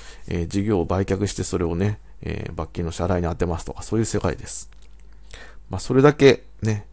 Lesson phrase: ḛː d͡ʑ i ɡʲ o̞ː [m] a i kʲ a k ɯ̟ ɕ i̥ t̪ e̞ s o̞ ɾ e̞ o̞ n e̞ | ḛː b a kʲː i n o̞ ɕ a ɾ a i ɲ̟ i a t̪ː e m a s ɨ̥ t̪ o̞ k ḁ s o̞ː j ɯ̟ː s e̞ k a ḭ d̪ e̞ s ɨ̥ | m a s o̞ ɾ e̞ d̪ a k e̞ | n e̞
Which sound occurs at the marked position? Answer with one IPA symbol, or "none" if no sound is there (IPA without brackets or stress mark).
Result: b